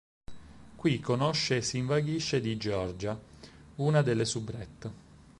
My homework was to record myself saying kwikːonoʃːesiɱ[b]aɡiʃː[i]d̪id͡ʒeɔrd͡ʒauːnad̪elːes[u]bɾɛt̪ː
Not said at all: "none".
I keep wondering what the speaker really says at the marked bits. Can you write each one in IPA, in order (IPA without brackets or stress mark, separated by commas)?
v, e, u